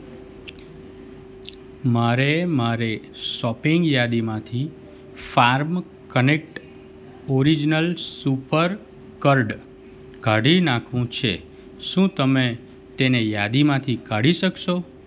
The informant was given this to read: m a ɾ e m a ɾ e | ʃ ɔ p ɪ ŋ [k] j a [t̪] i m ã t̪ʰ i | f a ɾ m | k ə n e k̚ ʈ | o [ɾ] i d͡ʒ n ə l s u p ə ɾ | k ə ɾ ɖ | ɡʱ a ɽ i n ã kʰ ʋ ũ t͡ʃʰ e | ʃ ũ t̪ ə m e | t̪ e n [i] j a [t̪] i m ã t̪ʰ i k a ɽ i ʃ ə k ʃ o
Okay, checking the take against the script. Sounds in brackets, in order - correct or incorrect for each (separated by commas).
incorrect, incorrect, correct, incorrect, incorrect